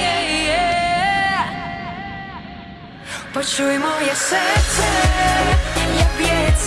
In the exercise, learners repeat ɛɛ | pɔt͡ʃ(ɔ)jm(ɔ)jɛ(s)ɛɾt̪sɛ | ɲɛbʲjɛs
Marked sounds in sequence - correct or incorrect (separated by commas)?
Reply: incorrect, correct, correct